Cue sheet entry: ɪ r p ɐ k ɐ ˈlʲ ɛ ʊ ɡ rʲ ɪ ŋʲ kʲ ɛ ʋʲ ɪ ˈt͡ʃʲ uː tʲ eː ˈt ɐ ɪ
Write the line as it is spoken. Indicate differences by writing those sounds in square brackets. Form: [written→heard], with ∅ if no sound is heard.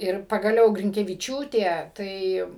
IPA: ɪ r p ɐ [k→ɡ] ɐ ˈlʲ ɛ ʊ ɡ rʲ ɪ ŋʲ kʲ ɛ ʋʲ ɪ ˈt͡ʃʲ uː tʲ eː ˈt ɐ ɪ